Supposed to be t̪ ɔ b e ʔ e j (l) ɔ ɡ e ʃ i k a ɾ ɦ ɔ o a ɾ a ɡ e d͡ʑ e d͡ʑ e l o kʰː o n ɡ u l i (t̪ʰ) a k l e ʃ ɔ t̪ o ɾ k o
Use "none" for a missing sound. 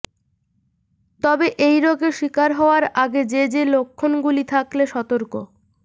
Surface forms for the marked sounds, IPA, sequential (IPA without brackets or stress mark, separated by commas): ɾ, t̪ʰ